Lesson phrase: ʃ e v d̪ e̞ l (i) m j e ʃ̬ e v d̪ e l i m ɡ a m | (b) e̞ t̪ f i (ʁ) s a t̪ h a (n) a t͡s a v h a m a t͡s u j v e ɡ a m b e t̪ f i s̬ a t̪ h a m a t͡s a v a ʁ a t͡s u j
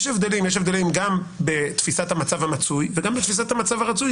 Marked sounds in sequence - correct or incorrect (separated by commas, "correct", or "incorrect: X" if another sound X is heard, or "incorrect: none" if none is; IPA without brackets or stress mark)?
correct, correct, incorrect: none, incorrect: m